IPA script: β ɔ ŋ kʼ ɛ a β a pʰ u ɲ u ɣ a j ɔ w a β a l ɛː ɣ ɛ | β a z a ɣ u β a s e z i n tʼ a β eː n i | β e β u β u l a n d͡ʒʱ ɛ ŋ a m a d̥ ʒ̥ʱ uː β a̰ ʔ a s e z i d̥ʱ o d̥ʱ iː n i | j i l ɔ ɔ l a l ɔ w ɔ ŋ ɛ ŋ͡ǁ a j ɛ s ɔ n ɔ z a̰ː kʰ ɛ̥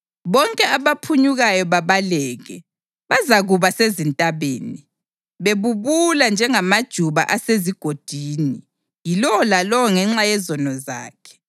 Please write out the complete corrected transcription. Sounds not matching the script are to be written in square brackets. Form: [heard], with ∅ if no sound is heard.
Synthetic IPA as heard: β ɔ ŋ kʼ ɛ a β a pʰ u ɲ u ɣ a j ɔ [β] a β a l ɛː ɣ ɛ | β a z a ɣ u β a s e z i n tʼ a β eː n i | β e β u β u l a n d͡ʒʱ ɛ ŋ a m a d̥ ʒ̥ʱ [u] β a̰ ʔ a s e z i [ɡ̥ʱ] o d̥ʱ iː n i | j i l ɔ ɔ l a l ɔ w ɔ ŋ ɛ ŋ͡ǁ a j ɛ [z] ɔ n ɔ z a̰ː kʰ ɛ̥